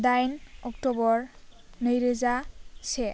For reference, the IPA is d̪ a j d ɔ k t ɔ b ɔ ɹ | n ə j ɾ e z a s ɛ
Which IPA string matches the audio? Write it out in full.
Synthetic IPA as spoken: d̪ a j n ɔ k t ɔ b ɔ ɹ | n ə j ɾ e z a s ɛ